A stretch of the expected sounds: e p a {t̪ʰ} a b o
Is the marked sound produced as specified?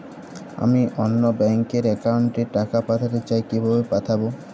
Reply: yes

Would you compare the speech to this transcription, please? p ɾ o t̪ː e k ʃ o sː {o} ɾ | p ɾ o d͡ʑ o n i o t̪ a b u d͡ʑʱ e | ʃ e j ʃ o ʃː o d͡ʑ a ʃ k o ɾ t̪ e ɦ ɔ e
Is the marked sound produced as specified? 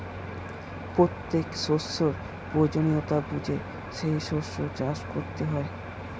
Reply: yes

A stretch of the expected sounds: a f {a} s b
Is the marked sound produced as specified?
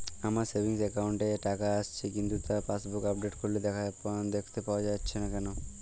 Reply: yes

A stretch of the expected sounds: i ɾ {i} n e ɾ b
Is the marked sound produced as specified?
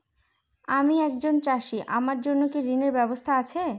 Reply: yes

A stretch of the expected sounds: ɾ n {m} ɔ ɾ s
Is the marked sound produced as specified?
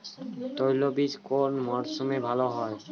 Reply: yes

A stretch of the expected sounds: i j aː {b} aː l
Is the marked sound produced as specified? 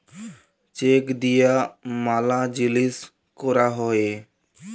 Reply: no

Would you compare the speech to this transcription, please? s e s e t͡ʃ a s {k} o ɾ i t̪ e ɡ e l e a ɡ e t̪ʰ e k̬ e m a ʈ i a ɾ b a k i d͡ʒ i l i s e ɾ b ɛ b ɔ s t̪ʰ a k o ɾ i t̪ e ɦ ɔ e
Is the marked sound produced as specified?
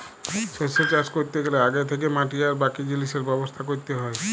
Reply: yes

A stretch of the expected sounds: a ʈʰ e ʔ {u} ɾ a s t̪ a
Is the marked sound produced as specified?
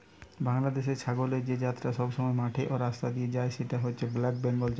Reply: no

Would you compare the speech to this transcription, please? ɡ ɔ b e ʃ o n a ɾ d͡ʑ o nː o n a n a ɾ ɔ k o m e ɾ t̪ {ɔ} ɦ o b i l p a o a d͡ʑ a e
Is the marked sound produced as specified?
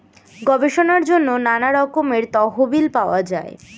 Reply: yes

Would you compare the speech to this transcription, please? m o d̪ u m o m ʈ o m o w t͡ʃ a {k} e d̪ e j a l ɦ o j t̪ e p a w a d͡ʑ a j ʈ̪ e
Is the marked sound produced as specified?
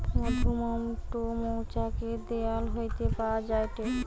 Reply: yes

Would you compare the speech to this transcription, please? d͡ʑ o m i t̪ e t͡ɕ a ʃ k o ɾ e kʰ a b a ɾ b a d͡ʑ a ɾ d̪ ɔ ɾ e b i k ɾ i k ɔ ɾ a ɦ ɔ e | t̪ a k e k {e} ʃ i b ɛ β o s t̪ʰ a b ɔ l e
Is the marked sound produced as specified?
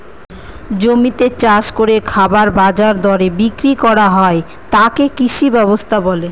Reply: no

